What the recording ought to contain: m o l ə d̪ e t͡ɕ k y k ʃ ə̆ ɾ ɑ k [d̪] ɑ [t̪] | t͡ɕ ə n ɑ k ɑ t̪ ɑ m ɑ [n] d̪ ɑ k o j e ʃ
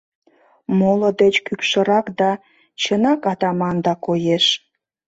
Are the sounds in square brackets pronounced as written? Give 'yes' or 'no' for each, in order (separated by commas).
yes, no, yes